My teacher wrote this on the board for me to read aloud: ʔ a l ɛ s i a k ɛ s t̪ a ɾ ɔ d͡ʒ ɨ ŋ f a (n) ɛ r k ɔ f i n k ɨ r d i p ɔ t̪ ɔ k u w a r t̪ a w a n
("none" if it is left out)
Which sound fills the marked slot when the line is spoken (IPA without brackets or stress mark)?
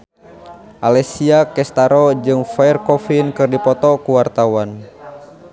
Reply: none